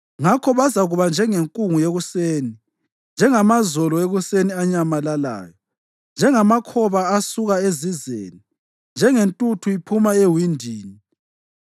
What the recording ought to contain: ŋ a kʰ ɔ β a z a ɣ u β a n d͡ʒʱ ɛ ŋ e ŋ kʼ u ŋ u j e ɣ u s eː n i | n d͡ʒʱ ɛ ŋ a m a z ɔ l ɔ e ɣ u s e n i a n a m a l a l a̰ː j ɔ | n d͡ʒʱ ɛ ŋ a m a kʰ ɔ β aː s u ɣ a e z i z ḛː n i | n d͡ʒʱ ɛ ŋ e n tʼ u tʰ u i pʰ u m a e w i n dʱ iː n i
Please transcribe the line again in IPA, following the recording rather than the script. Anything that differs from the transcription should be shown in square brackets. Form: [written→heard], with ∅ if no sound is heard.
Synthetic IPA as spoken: ŋ a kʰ ɔ β a z a ɣ u β a n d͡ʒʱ ɛ ŋ e ŋ kʼ u ŋ u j e ɣ u s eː n i | n d͡ʒʱ ɛ ŋ a m a z ɔ l ɔ e ɣ u s e n i a [n→ɲ] a m a l a l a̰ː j ɔ | n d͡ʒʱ ɛ ŋ a m a kʰ ɔ β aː s u ɣ a e z i z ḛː n i | n d͡ʒʱ ɛ ŋ e n tʼ u tʰ u i pʰ u m a e w i n dʱ iː n i

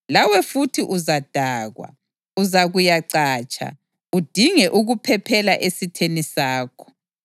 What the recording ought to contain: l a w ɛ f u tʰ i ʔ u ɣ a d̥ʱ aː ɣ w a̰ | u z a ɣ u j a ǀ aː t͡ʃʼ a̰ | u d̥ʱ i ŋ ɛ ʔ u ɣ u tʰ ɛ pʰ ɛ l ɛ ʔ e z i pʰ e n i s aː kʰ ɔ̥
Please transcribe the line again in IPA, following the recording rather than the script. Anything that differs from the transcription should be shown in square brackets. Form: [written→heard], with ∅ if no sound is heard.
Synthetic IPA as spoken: l a w ɛ f u tʰ i ʔ u [ɣ→z] a d̥ʱ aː ɣ w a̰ | u z a ɣ u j a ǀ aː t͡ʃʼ a̰ | u d̥ʱ i ŋ ɛ ʔ u ɣ u [tʰ→pʰ] ɛ pʰ ɛ l [ɛ→a] ʔ e [z→s] i [pʰ→tʰ] e n i s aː kʰ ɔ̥

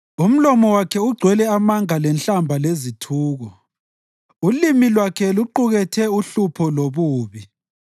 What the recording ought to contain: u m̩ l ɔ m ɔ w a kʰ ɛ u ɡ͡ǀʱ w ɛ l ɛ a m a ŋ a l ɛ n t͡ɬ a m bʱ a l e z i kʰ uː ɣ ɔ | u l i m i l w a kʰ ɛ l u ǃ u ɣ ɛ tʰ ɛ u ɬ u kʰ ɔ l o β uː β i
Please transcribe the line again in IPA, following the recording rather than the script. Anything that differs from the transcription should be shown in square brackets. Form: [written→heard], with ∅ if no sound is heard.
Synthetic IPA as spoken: u m̩ l ɔ m ɔ w a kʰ ɛ u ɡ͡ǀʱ w ɛ l ɛ a m a ŋ a l ɛ n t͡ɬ a m bʱ a l e z i [kʰ→tʰ] uː ɣ ɔ | u l i m i l w a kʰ ɛ l u ǃ u ɣ ɛ tʰ ɛ u ɬ u [kʰ→pʰ] ɔ l o β uː β i

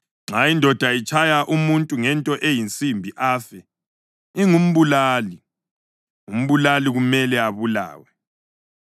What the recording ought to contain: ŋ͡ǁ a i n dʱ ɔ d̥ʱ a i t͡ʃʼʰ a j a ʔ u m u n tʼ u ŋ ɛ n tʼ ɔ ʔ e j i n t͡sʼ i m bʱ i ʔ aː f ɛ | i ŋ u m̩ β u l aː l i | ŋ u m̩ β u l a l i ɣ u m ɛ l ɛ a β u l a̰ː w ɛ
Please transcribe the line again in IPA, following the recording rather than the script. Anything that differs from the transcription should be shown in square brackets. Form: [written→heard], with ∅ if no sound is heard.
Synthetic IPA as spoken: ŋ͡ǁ a i n dʱ ɔ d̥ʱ a i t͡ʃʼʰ a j a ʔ u m u n tʼ u ŋ ɛ n tʼ ɔ ʔ e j i n t͡sʼ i m bʱ i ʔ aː f ɛ | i ŋ u m̩ β u l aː l i | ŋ u m̩ β u l a l i ɣ u m ɛ l ɛ a β u l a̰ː w ɛ

